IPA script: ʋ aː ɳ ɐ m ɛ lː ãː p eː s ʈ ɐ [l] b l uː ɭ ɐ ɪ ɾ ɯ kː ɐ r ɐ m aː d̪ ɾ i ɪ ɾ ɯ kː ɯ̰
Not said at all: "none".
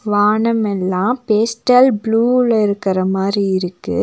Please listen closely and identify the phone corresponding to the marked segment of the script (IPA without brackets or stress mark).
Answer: l